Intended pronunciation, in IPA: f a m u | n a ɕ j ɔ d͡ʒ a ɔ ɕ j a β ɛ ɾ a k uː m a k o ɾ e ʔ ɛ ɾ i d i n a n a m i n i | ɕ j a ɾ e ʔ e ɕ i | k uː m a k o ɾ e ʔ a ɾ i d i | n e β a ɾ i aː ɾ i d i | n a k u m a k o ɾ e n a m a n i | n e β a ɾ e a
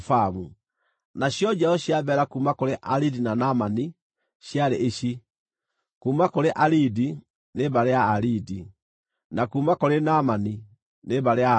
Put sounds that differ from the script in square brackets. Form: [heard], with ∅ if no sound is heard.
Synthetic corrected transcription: f a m u | n a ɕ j ɔ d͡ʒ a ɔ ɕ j a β ɛ ɾ a k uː m a k o ɾ e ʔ [a] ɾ i d i n a n a m [a] n i | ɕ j a ɾ e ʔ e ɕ i | k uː m a k o ɾ e ʔ a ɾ i d i | n e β a ɾ [e] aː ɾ i d i | n a k u m a k o ɾ e n a m a n i | n e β a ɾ e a